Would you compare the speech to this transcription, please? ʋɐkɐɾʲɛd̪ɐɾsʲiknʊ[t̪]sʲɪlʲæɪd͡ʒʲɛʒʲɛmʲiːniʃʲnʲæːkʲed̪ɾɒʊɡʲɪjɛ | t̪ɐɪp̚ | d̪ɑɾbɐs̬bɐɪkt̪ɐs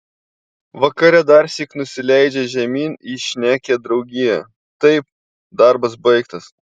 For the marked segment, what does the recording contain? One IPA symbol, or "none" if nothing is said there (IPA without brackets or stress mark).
none